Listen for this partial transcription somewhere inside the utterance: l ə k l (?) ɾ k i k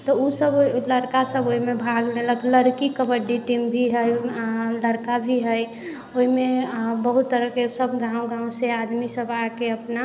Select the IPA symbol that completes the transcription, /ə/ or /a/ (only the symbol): ə